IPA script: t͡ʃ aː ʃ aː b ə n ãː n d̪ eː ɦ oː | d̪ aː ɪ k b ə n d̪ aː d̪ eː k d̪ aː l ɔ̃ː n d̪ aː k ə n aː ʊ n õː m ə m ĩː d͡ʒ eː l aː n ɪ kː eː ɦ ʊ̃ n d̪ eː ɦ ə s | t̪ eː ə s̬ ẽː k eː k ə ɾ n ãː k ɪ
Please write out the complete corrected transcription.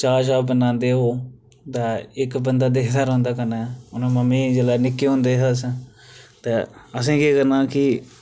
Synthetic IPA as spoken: t͡ʃ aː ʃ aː b ə n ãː n d̪ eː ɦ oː | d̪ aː ɪ k b ə n d̪ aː d̪ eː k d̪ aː ɾ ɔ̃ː n d̪ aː k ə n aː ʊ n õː m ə m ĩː d͡ʒ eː l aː n ɪ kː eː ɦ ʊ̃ n d̪ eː ɦ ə s | t̪ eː ə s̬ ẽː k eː k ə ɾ n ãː k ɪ